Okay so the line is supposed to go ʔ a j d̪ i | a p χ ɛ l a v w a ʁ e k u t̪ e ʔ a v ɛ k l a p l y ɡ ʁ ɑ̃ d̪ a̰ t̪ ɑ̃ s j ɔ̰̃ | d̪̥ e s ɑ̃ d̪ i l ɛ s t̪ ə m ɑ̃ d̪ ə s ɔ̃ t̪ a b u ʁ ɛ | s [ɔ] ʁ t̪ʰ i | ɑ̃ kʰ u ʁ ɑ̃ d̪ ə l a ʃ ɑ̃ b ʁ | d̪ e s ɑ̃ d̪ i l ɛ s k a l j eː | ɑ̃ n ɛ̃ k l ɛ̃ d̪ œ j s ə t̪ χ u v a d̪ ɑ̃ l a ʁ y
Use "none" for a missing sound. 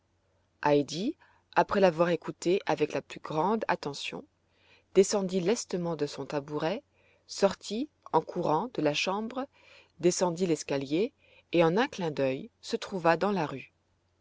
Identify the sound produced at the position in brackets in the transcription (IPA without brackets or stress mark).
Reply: ɔ